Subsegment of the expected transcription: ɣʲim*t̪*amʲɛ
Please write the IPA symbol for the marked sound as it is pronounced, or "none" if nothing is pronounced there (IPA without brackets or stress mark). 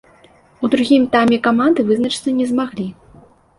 t̪